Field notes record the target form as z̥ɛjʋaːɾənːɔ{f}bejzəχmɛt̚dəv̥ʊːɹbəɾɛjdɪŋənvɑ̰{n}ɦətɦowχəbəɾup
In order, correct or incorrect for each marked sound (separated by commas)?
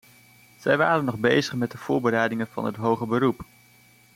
incorrect, correct